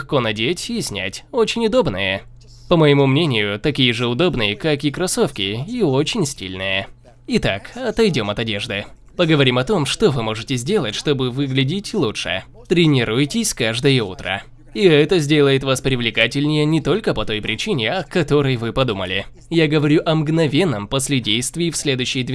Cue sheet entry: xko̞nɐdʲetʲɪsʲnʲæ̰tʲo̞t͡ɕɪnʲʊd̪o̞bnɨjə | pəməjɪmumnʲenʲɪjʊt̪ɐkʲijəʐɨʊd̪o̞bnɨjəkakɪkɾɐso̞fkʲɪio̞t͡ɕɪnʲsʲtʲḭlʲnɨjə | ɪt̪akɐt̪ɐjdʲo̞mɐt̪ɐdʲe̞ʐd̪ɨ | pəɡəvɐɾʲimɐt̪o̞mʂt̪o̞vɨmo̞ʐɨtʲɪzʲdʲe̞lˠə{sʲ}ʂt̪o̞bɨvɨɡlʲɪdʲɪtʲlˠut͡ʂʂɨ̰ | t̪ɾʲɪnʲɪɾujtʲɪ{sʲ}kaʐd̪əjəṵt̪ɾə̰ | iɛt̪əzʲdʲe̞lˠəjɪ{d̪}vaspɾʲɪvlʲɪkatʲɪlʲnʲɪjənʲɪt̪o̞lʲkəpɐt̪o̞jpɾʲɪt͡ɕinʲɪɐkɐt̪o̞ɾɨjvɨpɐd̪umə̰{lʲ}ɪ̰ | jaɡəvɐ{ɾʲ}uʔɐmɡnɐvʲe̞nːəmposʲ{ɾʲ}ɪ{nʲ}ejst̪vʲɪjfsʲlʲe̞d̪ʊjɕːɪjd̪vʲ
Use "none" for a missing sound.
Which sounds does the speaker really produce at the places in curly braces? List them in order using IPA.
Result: tʲ, sʲ, t̪, lʲ, ɾʲ, lʲ, dʲ

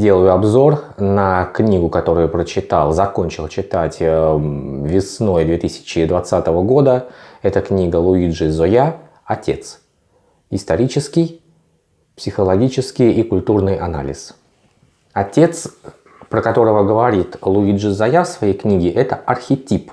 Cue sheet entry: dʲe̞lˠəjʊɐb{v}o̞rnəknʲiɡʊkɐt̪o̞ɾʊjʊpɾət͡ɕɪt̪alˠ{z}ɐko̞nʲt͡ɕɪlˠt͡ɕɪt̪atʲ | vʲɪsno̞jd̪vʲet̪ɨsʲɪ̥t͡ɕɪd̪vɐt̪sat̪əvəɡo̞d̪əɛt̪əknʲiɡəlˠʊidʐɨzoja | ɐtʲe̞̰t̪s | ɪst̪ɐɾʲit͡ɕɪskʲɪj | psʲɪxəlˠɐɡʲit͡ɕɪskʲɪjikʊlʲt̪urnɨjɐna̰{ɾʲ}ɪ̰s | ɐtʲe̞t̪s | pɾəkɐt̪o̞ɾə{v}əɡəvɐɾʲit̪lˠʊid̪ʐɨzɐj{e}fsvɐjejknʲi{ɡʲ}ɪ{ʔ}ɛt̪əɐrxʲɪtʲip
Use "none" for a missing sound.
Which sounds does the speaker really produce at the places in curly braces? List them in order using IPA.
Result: z, z, lʲ, v, a, ɡʲ, ʔ

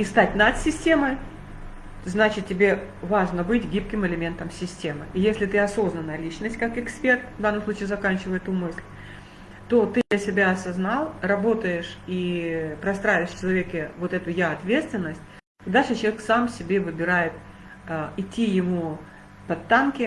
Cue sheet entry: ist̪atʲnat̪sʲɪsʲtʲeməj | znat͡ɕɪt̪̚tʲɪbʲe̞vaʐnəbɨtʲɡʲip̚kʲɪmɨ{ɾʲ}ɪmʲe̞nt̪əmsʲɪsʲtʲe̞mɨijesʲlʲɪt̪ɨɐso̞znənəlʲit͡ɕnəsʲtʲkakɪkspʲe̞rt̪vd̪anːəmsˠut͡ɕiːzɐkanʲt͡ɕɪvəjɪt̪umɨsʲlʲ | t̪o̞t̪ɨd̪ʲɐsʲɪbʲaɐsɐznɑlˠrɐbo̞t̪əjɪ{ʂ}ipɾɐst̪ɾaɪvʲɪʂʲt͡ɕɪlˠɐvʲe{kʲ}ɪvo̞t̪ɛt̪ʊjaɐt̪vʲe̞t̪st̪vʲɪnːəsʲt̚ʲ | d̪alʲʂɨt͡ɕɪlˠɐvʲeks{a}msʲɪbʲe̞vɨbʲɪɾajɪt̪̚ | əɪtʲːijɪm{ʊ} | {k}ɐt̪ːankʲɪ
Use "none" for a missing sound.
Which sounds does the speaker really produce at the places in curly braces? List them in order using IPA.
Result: lʲ, ʂ, kʲ, a, u, p

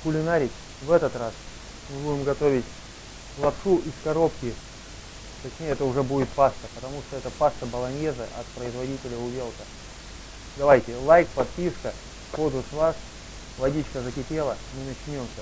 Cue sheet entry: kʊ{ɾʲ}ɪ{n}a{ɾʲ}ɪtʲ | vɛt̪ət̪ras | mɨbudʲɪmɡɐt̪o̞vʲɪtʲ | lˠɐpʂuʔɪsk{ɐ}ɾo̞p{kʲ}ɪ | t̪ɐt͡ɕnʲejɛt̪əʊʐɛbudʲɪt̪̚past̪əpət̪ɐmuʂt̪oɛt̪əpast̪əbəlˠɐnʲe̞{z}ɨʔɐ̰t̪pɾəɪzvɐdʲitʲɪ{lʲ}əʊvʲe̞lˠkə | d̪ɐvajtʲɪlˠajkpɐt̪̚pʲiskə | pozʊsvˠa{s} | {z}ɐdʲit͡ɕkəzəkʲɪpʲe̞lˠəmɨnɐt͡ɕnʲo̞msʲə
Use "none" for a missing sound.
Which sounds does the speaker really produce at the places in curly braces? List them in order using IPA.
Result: lʲ, n, ɾʲ, ɐ, kʲ, z, lʲ, s, v

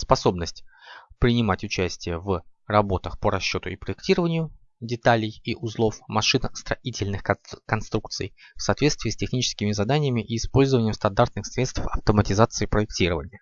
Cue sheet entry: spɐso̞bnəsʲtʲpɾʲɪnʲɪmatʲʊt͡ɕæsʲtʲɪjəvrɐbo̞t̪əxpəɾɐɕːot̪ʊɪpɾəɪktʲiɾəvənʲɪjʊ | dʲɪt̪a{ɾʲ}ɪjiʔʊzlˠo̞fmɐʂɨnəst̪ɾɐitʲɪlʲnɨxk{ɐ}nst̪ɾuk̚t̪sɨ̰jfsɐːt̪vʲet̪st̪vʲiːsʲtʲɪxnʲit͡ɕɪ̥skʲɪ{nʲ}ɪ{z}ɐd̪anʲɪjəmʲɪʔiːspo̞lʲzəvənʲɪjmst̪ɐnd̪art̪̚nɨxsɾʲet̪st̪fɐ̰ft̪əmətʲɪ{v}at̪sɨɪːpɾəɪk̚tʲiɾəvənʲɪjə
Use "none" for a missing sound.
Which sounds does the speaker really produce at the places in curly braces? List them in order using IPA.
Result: lʲ, ɐ, mʲ, z, z

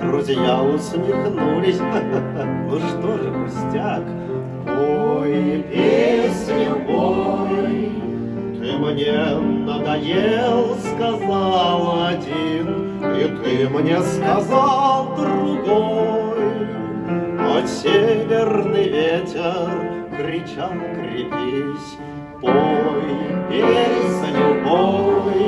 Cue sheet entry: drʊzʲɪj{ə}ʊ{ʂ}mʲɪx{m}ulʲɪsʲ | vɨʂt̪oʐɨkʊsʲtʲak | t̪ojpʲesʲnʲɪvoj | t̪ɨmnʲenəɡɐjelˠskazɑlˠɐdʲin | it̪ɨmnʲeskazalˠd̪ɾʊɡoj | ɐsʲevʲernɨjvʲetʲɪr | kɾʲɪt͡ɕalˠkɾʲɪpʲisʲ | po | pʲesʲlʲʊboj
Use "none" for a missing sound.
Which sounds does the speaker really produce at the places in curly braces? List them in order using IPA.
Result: a, s, n

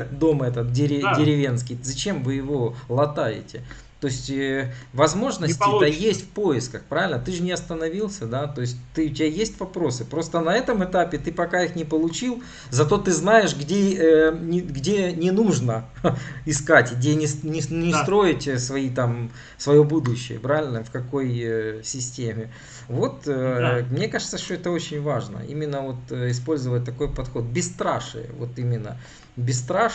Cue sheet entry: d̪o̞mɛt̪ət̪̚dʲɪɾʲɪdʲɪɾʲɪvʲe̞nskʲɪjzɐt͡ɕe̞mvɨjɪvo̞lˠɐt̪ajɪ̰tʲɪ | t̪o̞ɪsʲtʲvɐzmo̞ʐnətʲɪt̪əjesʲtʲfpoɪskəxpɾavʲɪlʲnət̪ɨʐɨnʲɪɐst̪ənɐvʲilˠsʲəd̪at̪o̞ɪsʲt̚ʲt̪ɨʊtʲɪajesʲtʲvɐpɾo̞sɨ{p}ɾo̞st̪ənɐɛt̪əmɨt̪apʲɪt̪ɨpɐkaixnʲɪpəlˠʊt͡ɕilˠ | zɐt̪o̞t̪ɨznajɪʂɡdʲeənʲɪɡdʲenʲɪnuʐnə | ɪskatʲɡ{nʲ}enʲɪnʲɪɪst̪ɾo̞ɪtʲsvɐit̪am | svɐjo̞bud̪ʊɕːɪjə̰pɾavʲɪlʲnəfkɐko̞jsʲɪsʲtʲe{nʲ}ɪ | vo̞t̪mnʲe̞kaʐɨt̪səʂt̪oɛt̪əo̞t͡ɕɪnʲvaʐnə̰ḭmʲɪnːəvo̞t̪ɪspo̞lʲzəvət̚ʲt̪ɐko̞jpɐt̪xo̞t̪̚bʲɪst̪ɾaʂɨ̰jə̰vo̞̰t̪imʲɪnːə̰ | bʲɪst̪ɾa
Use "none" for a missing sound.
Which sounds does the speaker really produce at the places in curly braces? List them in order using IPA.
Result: p, dʲ, mʲ

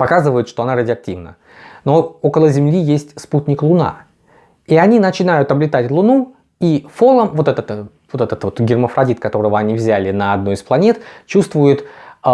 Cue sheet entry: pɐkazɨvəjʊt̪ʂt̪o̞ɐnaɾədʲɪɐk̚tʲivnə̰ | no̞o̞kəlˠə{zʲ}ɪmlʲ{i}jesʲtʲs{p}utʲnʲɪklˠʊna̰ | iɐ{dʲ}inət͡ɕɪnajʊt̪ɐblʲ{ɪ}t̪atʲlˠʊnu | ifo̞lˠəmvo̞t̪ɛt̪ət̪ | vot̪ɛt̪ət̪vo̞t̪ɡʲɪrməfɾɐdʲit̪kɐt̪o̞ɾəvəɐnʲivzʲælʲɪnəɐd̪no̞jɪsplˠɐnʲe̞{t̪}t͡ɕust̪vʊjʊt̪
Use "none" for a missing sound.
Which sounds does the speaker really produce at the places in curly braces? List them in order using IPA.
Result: zʲ, i, p, nʲ, ɪ, t̪

